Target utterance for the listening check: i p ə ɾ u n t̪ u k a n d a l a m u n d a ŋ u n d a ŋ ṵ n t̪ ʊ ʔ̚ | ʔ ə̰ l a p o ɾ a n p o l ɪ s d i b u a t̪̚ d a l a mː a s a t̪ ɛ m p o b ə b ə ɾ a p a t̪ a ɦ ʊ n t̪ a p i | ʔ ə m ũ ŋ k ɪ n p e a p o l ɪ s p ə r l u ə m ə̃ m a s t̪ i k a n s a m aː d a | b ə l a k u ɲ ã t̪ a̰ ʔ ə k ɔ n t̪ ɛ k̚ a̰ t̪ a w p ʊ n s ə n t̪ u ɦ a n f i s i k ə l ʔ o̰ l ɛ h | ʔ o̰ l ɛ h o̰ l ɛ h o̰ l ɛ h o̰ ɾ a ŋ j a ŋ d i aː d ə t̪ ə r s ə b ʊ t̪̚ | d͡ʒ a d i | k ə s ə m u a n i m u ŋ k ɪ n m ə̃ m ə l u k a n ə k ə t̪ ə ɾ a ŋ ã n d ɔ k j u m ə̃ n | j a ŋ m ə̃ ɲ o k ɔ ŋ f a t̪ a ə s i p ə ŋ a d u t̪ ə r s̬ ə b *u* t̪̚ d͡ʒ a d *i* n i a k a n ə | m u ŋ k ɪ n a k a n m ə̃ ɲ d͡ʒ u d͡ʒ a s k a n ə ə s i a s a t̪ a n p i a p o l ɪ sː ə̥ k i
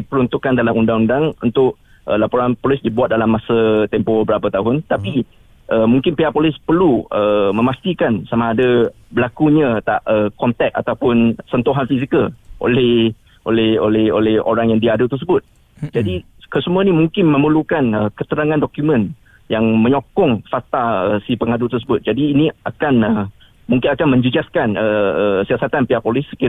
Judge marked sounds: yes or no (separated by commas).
no, no